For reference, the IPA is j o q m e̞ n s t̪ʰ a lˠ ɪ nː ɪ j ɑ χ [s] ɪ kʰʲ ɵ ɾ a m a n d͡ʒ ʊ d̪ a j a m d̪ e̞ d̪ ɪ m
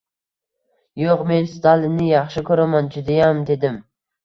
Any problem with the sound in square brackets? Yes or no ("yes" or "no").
yes